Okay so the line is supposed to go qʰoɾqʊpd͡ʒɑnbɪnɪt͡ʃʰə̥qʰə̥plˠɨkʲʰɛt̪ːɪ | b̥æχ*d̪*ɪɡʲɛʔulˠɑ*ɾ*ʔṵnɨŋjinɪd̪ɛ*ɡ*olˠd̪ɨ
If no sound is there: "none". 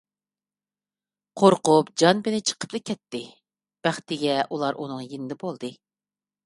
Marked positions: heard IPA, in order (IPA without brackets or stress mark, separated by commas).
t̪, ɾ, b